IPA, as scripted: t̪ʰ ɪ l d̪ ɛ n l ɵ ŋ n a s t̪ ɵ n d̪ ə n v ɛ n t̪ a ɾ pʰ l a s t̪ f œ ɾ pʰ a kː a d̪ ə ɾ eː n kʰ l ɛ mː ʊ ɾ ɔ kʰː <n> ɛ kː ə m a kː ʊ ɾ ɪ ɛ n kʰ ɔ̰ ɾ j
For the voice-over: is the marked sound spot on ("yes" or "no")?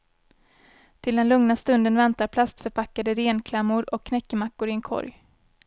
yes